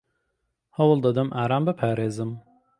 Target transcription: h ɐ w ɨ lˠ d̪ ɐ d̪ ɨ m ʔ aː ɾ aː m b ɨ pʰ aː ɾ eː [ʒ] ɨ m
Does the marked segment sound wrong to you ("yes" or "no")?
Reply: yes